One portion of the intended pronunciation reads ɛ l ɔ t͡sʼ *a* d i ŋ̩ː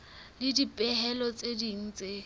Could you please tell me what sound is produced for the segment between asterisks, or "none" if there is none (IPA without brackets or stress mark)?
e